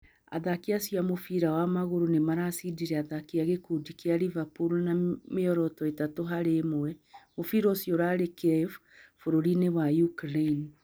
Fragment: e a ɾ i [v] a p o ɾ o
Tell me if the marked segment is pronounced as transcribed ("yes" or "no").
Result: yes